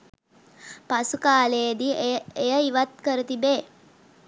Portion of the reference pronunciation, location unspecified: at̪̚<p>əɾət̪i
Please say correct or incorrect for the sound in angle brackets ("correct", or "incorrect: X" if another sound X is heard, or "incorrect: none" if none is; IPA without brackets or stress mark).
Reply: incorrect: k